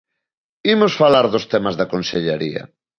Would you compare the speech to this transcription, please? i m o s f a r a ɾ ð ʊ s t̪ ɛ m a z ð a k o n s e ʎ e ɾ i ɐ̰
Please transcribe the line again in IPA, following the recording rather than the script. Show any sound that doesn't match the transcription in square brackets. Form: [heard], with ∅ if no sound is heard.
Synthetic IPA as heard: i m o s f a [l] a ɾ ð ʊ s t̪ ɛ m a z ð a k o n s e ʎ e ɾ i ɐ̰